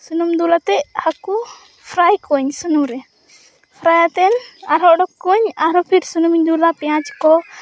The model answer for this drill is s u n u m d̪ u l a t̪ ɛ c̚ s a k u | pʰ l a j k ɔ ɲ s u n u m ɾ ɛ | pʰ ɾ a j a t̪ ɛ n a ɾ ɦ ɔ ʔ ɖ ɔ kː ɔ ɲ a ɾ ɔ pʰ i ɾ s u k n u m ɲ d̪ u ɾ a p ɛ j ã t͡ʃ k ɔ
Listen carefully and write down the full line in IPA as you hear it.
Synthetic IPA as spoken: s u n u m d̪ u l a t̪ ɛ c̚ h a k u | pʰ ɾ a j k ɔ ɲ s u n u m ɾ ɛ | pʰ ɾ a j a t̪ ɛ n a ɾ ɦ ɔ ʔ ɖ ɔ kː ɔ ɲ a ɾ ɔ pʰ i ɾ s u n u m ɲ d̪ u l a p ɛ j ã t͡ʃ k ɔ